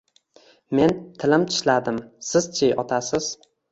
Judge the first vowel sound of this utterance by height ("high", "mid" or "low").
mid